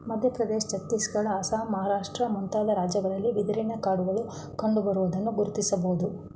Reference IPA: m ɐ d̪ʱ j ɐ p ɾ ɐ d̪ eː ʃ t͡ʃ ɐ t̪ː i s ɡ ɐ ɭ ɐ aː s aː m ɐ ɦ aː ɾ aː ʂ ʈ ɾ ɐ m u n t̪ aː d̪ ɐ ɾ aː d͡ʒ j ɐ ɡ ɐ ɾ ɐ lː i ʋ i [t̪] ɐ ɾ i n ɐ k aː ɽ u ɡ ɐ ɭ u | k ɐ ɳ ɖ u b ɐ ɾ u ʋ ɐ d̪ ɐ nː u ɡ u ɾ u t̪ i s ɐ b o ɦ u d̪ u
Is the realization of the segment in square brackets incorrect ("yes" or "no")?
yes